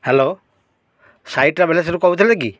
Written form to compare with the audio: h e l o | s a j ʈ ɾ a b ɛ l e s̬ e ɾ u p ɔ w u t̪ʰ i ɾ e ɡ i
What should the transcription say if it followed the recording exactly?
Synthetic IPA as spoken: h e l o | s a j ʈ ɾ a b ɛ l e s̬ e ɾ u k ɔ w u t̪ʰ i l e ɡ i